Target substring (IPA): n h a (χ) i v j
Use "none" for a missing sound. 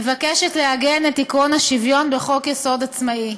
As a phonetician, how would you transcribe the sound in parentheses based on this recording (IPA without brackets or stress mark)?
ʃ